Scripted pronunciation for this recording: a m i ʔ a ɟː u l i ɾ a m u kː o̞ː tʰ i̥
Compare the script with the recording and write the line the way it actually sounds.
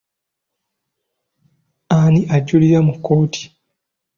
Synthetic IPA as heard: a n i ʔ a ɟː u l i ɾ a m u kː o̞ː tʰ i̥